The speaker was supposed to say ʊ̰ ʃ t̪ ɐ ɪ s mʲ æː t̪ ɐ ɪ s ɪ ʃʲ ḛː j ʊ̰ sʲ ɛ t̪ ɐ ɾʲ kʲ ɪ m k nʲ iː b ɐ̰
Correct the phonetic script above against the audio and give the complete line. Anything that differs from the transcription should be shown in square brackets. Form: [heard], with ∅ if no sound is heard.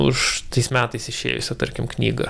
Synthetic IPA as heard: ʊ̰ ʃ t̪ ɐ ɪ s mʲ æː t̪ ɐ ɪ s ɪ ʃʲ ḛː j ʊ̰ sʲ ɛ t̪ ɐ ɾʲ kʲ ɪ m k nʲ iː [ɡ] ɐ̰

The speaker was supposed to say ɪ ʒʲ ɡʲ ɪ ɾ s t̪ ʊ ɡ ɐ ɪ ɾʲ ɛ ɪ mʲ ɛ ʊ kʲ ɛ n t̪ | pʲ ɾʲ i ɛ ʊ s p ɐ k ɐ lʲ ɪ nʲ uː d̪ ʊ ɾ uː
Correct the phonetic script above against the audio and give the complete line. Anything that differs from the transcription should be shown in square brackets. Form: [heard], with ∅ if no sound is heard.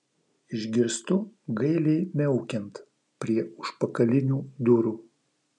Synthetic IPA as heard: ɪ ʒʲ ɡʲ ɪ ɾ s t̪ ʊ ɡ ɐ ɪ [lʲ] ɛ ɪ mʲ ɛ ʊ kʲ ɛ n t̪ | pʲ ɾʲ i ɛ ʊ [ʃ] p ɐ k ɐ lʲ ɪ nʲ uː d̪ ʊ ɾ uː

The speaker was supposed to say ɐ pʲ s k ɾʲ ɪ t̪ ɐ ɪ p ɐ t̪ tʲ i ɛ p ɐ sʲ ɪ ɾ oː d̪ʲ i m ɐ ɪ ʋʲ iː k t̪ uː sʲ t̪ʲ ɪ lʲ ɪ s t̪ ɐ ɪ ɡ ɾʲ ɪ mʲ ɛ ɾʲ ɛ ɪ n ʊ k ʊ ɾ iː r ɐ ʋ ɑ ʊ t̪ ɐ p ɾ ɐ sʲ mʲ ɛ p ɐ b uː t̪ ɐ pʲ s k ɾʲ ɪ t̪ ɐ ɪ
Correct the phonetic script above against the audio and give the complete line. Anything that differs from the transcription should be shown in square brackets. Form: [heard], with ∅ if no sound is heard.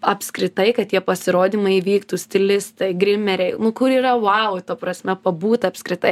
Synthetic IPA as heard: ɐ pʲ s k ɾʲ ɪ t̪ ɐ ɪ [k] ɐ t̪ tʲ i ɛ p ɐ sʲ ɪ ɾ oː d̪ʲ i m ɐ ɪ ʋʲ iː k t̪ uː sʲ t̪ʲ ɪ lʲ ɪ s t̪ ɐ ɪ ɡ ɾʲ ɪ mʲ ɛ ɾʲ ɛ ɪ n ʊ k ʊ ɾ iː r ɐ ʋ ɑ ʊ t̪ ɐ p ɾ ɐ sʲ mʲ ɛ p ɐ b uː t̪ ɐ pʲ s k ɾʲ ɪ t̪ ɐ ɪ

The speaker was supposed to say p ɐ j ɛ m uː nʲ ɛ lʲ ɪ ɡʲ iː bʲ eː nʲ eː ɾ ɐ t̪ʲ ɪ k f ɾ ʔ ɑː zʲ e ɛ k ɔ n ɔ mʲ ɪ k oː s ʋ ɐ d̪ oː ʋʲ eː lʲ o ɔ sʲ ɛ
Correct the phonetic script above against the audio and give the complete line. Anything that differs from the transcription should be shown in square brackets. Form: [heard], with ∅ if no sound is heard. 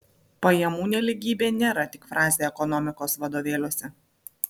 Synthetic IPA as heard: p ɐ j ɛ m uː nʲ ɛ lʲ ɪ ɡʲ iː bʲ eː nʲ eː ɾ ɐ t̪ʲ ɪ k f ɾ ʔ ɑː zʲ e ɛ k ɔ n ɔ mʲ ɪ k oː s ʋ ɐ d̪ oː ʋʲ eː lʲ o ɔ sʲ ɛ

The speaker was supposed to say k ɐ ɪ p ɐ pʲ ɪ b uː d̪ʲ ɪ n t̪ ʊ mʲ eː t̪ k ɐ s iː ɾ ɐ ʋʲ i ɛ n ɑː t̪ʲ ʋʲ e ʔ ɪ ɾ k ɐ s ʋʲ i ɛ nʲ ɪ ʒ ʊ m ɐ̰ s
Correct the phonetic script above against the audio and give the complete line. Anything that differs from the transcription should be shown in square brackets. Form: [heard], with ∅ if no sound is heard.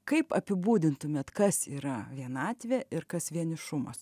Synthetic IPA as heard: k ɐ ɪ p ɐ pʲ ɪ b uː d̪ʲ ɪ n t̪ ʊ mʲ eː t̪ k ɐ s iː ɾ ɐ ʋʲ i ɛ n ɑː t̪ʲ ʋʲ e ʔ ɪ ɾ k ɐ s ʋʲ i ɛ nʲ ɪ [ʃ] ʊ m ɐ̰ s

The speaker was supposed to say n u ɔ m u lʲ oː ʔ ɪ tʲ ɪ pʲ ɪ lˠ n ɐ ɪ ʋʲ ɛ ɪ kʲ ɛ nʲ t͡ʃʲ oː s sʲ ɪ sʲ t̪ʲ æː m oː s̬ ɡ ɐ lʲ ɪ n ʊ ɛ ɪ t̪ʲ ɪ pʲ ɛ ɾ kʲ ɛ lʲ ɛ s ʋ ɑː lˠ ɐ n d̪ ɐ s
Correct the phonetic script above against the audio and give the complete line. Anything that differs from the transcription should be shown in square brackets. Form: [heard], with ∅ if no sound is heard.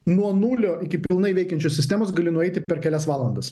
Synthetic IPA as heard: n u ɔ [n] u lʲ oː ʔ ɪ [kʲ] ɪ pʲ ɪ lˠ n ɐ ɪ ʋʲ ɛ ɪ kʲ ɛ nʲ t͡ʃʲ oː s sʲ ɪ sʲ t̪ʲ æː m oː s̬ ɡ ɐ lʲ ɪ n ʊ ɛ ɪ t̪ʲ ɪ pʲ ɛ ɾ kʲ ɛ lʲ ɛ s ʋ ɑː lˠ ɐ n d̪ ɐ s

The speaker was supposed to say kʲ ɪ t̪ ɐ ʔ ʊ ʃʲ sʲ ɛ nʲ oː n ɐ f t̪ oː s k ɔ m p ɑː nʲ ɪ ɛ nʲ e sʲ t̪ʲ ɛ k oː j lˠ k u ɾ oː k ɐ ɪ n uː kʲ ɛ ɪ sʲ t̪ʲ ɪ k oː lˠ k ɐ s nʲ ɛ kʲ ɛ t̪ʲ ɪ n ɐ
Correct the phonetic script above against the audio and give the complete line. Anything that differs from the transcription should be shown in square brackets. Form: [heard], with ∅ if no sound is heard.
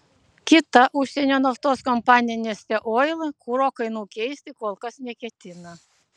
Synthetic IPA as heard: kʲ ɪ t̪ ɐ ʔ ʊ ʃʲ sʲ ɛ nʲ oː n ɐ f t̪ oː s k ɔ m p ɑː nʲ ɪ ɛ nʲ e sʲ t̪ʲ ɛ [ʔ] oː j lˠ k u ɾ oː k ɐ ɪ n uː kʲ ɛ ɪ sʲ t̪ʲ ɪ k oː lˠ k ɐ s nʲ ɛ kʲ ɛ t̪ʲ ɪ n ɐ

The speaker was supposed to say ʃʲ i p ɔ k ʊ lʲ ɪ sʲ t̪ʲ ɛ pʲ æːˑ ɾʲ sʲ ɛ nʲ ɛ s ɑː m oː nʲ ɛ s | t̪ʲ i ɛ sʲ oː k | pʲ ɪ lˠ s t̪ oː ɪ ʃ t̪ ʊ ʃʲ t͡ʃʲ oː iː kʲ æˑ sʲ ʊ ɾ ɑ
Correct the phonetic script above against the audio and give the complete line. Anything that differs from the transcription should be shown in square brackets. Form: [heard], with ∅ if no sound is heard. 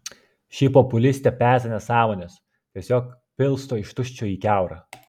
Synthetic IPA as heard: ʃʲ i p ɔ [p] ʊ lʲ ɪ sʲ t̪ʲ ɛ pʲ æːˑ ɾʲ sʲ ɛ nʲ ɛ s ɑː m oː nʲ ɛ s | t̪ʲ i ɛ sʲ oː k | pʲ ɪ lˠ s t̪ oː ɪ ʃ t̪ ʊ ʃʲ t͡ʃʲ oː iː kʲ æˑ [∅] ʊ ɾ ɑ

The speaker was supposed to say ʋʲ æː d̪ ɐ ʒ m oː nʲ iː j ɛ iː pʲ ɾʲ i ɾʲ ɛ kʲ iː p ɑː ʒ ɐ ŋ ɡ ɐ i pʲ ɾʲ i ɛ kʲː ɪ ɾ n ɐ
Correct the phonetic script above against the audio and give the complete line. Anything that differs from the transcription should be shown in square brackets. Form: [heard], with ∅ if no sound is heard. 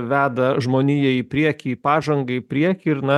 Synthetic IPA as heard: ʋʲ æː d̪ ɐ ʒ m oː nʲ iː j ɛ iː pʲ ɾʲ i [∅] ɛ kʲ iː p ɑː ʒ ɐ ŋ ɡ ɐ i pʲ ɾʲ i ɛ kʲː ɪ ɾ n ɐ

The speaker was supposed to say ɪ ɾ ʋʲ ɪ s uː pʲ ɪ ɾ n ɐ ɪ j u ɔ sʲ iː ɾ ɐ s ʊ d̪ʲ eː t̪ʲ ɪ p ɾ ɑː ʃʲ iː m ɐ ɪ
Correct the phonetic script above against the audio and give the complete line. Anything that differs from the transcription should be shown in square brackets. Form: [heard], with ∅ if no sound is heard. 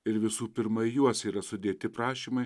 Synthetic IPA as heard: ɪ ɾ ʋʲ ɪ s uː pʲ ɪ ɾ [m] ɐ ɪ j u ɔ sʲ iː ɾ ɐ s ʊ d̪ʲ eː t̪ʲ ɪ p ɾ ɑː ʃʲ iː m ɐ ɪ

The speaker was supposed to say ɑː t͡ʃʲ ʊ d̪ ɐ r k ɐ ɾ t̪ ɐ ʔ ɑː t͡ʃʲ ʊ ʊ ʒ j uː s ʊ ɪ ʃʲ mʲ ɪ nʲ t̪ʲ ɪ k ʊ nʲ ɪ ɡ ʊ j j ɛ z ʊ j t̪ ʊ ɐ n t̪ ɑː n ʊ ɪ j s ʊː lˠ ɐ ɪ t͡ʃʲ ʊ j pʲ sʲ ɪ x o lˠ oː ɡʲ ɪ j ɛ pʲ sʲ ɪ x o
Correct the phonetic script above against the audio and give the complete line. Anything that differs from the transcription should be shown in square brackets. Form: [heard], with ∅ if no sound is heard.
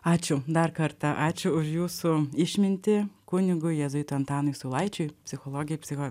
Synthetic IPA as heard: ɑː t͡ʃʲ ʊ d̪ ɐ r k ɐ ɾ t̪ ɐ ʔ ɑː t͡ʃʲ ʊ ʊ [ʃ] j uː s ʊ ɪ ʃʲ mʲ ɪ nʲ t̪ʲ ɪ k ʊ nʲ ɪ ɡ ʊ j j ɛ z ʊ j t̪ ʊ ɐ n t̪ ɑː n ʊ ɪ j s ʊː lˠ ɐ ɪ t͡ʃʲ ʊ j pʲ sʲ ɪ x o lˠ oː ɡʲ ɪ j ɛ pʲ sʲ ɪ x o

